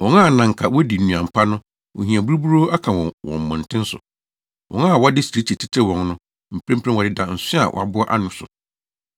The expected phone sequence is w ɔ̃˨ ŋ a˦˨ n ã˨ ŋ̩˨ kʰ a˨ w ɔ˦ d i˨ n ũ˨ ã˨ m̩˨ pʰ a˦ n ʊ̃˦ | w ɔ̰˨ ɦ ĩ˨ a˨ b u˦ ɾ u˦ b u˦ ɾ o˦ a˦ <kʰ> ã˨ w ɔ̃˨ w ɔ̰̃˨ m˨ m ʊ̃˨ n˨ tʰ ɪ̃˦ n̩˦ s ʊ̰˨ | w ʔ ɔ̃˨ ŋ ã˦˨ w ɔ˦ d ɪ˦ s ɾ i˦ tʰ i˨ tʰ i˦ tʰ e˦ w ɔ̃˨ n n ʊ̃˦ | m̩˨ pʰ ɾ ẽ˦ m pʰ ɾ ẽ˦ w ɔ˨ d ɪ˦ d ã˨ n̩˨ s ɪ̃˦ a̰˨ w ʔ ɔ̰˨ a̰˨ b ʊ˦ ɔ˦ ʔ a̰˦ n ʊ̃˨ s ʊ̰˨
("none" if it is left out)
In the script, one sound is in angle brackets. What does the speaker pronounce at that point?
kʰ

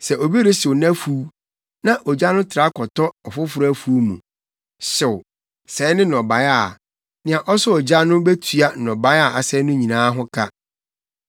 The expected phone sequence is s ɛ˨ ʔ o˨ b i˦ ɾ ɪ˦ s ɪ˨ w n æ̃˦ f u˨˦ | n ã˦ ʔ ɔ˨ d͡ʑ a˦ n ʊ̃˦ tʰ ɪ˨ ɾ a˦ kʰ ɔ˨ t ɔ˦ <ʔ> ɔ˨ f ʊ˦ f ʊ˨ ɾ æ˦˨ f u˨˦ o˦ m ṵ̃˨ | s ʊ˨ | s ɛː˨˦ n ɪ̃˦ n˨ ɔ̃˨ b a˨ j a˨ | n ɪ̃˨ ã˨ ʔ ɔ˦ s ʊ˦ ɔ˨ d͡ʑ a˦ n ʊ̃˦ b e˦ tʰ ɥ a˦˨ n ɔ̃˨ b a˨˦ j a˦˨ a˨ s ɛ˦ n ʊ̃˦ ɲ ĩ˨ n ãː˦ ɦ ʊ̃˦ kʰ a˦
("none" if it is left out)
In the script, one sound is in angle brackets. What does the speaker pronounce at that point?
none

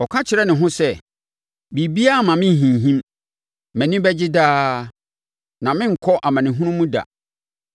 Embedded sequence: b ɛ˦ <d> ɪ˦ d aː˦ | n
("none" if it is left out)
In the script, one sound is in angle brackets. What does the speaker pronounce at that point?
d͡ʑ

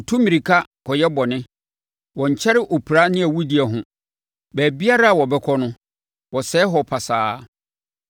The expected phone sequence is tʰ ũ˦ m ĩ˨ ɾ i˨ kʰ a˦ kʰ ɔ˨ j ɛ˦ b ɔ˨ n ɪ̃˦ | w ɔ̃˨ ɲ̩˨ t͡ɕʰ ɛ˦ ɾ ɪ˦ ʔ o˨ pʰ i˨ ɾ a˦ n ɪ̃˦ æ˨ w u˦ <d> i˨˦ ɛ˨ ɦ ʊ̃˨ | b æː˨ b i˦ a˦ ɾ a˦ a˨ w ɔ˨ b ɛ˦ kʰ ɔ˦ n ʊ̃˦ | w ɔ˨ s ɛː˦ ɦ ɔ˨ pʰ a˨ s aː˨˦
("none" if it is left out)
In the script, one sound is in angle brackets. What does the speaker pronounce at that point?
d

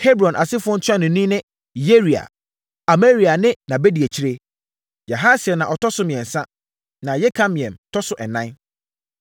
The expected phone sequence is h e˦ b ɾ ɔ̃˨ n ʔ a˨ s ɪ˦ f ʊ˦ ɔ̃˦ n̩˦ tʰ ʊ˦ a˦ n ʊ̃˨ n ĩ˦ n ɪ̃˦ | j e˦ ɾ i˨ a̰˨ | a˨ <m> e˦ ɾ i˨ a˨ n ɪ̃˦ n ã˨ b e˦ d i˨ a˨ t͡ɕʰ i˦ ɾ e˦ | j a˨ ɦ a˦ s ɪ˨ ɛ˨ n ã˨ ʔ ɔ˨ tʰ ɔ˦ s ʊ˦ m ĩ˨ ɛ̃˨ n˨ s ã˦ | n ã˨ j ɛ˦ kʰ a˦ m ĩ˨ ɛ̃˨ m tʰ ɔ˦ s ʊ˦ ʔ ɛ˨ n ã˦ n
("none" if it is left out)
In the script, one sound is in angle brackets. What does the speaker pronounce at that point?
m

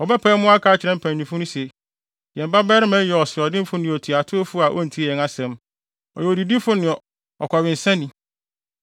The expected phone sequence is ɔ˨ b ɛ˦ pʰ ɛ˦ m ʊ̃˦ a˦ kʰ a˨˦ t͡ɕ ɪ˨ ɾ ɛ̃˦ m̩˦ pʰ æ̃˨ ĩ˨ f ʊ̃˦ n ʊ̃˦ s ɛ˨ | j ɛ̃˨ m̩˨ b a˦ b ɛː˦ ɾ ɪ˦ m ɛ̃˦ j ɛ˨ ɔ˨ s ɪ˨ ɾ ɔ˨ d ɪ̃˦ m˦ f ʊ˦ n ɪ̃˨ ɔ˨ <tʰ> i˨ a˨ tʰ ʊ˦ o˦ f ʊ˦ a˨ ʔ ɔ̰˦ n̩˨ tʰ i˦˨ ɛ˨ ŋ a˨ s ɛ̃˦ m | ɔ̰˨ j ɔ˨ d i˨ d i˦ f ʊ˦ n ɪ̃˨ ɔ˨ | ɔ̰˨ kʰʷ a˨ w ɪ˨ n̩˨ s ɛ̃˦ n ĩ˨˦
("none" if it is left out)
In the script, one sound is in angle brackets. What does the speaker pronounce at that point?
tʰ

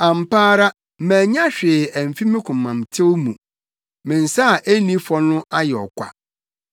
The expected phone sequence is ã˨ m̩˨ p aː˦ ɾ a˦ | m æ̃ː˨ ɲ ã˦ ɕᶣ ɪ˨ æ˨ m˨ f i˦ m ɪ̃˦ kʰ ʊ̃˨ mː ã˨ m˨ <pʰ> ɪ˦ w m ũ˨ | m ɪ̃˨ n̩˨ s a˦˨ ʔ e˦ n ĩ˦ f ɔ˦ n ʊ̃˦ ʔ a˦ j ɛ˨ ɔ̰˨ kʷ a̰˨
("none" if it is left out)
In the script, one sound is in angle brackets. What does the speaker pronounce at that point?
tʰ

